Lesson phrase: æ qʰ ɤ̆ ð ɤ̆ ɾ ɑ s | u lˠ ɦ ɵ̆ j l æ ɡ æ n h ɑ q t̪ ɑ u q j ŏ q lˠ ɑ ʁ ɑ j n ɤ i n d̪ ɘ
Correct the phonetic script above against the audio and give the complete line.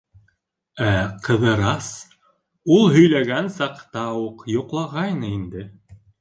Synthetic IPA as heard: æ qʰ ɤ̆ ð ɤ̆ ɾ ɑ s | u lˠ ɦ ɵ̆ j l æ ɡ æ n s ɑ q t̪ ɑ u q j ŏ q lˠ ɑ ʁ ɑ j n ɤ i n d̪ ɘ